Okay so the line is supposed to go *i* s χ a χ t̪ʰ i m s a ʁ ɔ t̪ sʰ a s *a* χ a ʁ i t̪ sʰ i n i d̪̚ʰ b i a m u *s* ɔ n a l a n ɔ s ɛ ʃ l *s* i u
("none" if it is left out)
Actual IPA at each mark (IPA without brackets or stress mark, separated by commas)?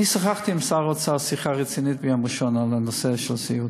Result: i, i, ʃ, s